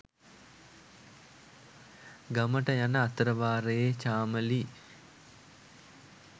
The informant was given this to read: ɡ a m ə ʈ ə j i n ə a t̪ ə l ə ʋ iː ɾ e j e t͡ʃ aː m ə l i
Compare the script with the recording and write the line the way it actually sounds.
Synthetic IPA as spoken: ɡ a m ə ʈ ə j a n ə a t̪ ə ɾ ə ʋ aː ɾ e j e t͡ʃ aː m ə l i